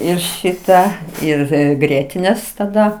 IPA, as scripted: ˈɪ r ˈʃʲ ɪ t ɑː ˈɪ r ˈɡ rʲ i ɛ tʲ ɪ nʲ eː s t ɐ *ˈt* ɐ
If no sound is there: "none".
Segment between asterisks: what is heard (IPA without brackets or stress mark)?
d